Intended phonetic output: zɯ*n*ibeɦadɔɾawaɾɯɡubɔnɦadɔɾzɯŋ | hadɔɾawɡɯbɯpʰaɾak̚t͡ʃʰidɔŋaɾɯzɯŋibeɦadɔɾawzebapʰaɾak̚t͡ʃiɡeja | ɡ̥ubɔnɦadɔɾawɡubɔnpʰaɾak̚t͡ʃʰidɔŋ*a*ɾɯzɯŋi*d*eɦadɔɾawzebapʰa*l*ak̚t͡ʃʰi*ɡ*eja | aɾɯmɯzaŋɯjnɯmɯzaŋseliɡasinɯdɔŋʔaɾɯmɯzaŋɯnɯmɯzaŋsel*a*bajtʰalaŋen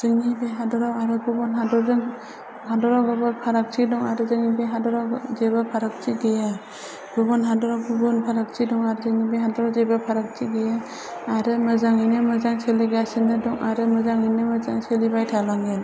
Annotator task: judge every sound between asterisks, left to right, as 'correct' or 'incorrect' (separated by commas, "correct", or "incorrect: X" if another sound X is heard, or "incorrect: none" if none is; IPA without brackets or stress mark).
incorrect: ŋ, correct, incorrect: b, incorrect: ɾ, correct, incorrect: i